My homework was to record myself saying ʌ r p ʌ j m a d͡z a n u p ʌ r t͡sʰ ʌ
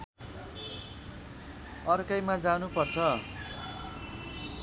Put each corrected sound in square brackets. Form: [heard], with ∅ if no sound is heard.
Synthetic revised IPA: ʌ r [k] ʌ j m a d͡z a n u p ʌ r t͡sʰ ʌ

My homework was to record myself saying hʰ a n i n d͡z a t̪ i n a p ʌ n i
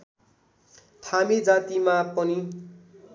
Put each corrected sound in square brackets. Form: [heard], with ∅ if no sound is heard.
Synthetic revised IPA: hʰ a [m] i [∅] d͡z a t̪ i [m] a p ʌ n i

